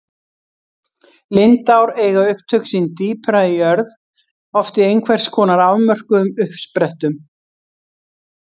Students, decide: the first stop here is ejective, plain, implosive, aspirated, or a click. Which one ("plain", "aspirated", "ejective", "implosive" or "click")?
plain